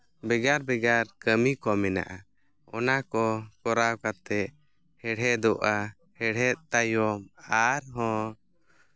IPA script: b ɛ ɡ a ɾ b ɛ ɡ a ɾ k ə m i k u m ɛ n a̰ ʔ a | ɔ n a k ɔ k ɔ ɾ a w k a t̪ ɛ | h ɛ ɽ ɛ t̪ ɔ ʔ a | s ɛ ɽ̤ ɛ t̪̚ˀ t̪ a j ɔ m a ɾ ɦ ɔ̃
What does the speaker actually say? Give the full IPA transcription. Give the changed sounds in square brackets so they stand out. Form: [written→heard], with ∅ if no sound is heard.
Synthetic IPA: b ɛ ɡ a ɾ b ɛ ɡ a ɾ k ə m i k [u→ɔ] m ɛ n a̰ ʔ a | ɔ n a k ɔ k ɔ ɾ a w k a t̪ ɛ | h ɛ ɽ ɛ [t̪→d̪] ɔ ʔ a | [s→h] ɛ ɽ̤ ɛ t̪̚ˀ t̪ a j ɔ m a ɾ ɦ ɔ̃

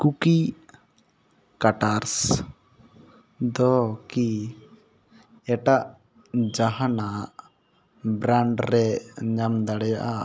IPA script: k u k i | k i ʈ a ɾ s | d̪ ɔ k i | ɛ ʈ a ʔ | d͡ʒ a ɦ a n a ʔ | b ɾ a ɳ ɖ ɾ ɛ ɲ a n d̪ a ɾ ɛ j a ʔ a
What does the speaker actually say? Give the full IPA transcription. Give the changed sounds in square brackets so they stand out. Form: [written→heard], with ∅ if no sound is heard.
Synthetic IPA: k u k i | k [i→a] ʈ a ɾ s | d̪ ɔ k i | ɛ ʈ a ʔ | d͡ʒ a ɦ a n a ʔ | b ɾ a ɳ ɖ ɾ ɛ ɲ a [n→m] d̪ a [ɾ→ɽ] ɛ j a ʔ a

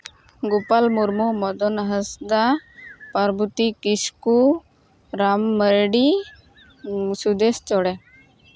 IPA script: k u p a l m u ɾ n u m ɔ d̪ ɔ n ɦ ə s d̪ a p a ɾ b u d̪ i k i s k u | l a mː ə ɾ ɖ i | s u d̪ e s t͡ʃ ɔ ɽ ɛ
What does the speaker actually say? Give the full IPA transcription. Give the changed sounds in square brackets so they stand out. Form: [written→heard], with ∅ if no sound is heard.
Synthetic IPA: [k→ɡ] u p a l m u ɾ [n→m] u m ɔ d̪ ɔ n ɦ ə s d̪ a p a ɾ b u [d̪→t̪] i k i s k u | [l→ɾ] a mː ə ɾ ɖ i | s u d̪ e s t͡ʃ ɔ ɽ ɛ

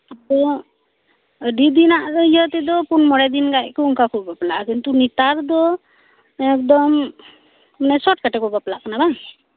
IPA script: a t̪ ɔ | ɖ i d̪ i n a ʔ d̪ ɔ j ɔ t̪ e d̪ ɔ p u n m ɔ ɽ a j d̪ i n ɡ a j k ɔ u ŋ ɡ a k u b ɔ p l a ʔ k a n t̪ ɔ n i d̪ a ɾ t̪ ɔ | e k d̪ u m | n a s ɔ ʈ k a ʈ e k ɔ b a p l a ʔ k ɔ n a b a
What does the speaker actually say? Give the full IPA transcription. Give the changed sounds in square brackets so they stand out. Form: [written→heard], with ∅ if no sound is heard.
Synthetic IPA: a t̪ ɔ | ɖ i d̪ i n a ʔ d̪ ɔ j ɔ t̪ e d̪ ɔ p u n m ɔ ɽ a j d̪ i n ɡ a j k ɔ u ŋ [ɡ→k] a k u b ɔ p l a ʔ k [a→i] n t̪ [ɔ→u] n i [d̪→t̪] a ɾ [t̪→d̪] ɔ | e k d̪ [u→ɔ] m | n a s ɔ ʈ k a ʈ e k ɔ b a p l a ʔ k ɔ n a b a

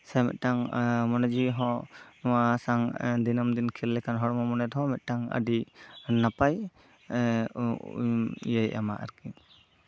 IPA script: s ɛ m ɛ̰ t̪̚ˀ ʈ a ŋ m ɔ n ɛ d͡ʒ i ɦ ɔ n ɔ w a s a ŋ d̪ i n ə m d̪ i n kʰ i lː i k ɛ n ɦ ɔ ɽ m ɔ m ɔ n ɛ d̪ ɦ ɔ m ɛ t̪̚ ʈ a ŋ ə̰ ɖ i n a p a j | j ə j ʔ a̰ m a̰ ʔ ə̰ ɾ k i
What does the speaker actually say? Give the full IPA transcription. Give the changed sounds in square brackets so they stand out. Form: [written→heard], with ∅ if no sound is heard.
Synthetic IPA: s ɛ m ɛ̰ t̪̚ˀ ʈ a ŋ m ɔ n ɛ d͡ʒ i ɦ ɔ n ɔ w a s a ŋ d̪ i n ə m d̪ i n kʰ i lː [i→ɛ] k [ɛ→a] n ɦ ɔ ɽ m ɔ m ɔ n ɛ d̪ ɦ ɔ m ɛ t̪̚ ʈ a ŋ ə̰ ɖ i n a p a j | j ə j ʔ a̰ m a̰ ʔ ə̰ ɾ k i

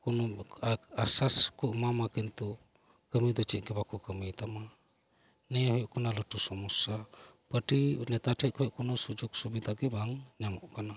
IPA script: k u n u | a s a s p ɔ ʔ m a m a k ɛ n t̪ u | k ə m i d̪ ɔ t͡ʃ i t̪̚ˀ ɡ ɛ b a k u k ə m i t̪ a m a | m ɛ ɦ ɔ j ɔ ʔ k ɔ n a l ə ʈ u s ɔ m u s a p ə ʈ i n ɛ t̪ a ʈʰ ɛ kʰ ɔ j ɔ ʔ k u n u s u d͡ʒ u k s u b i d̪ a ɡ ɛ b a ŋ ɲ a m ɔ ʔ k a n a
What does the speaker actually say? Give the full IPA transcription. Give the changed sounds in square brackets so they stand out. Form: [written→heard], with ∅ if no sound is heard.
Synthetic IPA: k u n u | a s a s [p→k] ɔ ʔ m a m a k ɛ n t̪ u | k ə m i d̪ ɔ t͡ʃ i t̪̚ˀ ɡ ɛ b a k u k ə m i t̪ a m a | [m→n] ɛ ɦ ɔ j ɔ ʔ k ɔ n a l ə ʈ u s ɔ m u s a p ə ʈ i n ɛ t̪ a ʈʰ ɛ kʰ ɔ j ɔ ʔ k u n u s u d͡ʒ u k s u b i d̪ a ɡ ɛ b a ŋ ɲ a m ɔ ʔ k a n a

